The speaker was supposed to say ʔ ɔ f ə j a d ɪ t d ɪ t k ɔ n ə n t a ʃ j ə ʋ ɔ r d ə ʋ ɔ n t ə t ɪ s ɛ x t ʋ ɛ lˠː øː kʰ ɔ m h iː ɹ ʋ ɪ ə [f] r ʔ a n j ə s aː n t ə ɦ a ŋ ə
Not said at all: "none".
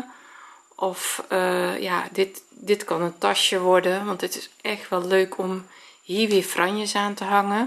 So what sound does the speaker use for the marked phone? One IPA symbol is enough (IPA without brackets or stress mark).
f